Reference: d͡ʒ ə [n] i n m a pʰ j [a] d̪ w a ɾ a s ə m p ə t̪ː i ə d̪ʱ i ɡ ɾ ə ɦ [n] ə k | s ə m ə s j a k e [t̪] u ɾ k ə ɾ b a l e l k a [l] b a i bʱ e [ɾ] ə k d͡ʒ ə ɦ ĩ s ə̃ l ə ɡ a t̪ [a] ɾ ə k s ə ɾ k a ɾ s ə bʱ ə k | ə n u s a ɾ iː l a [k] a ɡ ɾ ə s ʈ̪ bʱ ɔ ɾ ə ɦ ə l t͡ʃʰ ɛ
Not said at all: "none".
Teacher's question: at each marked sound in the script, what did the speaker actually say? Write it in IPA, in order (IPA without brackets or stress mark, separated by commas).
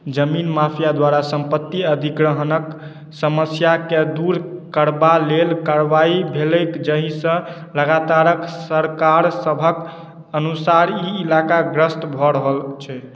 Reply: m, a, n, d̪, ɾ, l, a, k